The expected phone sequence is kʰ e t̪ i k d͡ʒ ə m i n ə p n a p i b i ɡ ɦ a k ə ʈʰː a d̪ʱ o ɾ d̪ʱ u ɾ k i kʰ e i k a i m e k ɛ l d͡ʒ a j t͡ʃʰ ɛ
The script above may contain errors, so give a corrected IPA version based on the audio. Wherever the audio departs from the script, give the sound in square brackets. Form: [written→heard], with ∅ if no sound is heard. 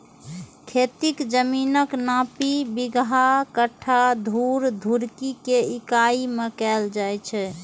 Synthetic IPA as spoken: kʰ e t̪ i k d͡ʒ ə m i n ə [p→k] n a p i b i ɡ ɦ a k ə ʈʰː a d̪ʱ [o→u] ɾ d̪ʱ u ɾ k i [kʰ→k] e i k a i m e k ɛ l d͡ʒ a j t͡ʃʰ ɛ